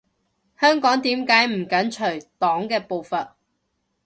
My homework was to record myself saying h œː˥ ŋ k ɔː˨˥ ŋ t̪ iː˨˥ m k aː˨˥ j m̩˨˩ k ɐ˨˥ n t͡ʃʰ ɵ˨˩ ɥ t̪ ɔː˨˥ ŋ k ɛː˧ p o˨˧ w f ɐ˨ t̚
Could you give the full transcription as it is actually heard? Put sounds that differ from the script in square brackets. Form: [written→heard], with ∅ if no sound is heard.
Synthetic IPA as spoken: h œː˥ ŋ k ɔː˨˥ ŋ t̪ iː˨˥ m k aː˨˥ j m̩˨˩ k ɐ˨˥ n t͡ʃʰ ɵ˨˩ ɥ t̪ ɔː˨˥ ŋ k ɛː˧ p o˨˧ w f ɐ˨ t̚